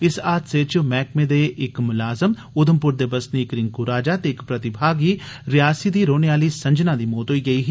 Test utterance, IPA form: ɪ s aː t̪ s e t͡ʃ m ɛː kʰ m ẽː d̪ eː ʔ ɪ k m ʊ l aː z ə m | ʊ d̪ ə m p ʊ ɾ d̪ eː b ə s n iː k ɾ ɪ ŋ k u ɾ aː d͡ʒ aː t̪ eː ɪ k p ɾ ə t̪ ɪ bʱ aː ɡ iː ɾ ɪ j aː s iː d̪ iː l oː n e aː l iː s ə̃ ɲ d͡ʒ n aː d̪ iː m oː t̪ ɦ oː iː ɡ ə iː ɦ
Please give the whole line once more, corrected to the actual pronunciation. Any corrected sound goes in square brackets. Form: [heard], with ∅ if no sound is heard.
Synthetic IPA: ɪ s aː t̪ s e t͡ʃ m ɛː [k] m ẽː d̪ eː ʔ ɪ k m ʊ l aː z ə m | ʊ d̪ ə m p ʊ ɾ d̪ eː b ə s n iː k ɾ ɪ ŋ k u ɾ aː d͡ʒ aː t̪ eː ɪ k p ɾ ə t̪ ɪ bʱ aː ɡ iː ɾ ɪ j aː s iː d̪ iː [ɾ] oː n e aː l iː s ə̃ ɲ d͡ʒ n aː d̪ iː m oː t̪ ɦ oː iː ɡ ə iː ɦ